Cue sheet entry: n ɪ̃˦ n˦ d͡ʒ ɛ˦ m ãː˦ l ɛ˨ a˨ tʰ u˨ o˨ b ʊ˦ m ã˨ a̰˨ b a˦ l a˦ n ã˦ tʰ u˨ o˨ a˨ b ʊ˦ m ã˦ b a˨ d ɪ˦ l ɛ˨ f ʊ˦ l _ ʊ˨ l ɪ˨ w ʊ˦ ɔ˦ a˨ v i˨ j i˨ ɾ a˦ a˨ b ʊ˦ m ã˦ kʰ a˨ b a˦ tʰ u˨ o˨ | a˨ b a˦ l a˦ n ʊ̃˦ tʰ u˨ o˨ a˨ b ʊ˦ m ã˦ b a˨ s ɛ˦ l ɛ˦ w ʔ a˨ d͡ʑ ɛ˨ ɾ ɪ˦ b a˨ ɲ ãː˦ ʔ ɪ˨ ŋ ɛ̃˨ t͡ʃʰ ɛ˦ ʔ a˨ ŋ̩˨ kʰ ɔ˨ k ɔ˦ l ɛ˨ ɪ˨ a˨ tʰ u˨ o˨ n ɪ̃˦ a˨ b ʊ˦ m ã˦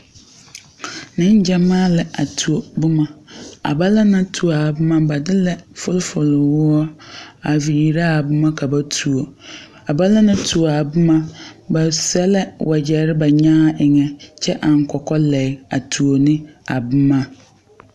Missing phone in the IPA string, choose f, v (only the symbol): f